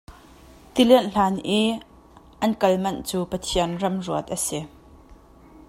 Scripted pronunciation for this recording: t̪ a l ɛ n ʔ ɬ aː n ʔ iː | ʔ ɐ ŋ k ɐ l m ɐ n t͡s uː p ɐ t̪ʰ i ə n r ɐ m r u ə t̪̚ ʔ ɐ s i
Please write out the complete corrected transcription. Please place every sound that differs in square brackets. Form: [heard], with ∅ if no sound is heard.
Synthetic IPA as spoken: t̪ [i] l ɛ n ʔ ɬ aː n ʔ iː | ʔ ɐ [n] k ɐ l m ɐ n t͡s uː p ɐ t̪ʰ i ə n r ɐ m r u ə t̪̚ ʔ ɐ s i